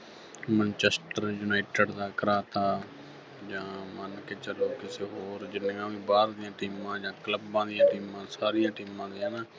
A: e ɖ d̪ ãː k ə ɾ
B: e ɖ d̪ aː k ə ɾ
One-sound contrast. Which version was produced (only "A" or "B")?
B